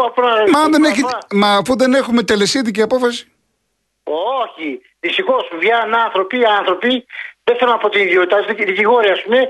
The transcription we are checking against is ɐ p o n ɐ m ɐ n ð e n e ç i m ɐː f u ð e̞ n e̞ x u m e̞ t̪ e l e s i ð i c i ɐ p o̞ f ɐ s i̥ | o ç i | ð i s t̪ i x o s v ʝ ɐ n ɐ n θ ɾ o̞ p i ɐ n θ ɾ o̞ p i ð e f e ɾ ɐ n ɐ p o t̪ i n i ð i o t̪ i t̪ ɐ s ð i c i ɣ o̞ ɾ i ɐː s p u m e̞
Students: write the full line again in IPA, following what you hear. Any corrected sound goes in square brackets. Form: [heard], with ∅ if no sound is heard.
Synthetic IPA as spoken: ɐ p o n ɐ m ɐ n ð e n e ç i m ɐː f u ð e̞ n e̞ x u m e̞ t̪ e l e s i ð i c i ɐ p o̞ f ɐ s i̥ | o ç i | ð i s t̪ i x o s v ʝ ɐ n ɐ n θ ɾ o̞ p i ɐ n θ ɾ o̞ p i ð e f e ɾ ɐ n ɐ p o t̪ i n i ð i o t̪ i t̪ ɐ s ð i c i ɣ o̞ ɾ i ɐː s p u m e̞